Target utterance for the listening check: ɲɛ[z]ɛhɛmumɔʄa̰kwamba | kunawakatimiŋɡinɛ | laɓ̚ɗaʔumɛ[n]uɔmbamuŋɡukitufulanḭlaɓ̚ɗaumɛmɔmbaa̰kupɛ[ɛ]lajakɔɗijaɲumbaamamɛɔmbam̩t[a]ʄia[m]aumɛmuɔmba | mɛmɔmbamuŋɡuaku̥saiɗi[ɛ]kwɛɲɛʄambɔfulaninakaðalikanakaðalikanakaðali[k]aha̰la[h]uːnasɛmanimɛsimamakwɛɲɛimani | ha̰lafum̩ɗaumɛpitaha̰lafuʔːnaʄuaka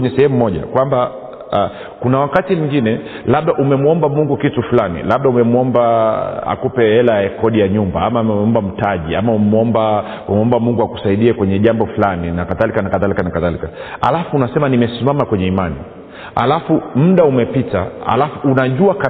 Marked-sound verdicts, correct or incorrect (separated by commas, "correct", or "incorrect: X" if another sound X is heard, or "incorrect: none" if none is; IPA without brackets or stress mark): incorrect: s, incorrect: m, correct, correct, correct, correct, correct, incorrect: f